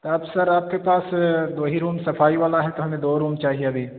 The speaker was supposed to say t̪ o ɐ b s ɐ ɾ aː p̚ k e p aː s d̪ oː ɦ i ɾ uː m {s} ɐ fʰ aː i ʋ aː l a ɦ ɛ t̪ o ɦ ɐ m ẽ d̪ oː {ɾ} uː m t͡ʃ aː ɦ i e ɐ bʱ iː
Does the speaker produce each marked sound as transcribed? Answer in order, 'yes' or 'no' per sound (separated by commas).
yes, yes